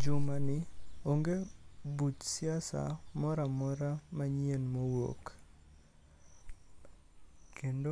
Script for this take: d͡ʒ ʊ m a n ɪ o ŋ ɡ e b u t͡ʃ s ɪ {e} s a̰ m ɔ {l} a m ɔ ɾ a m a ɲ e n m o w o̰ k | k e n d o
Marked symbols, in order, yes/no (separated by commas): no, no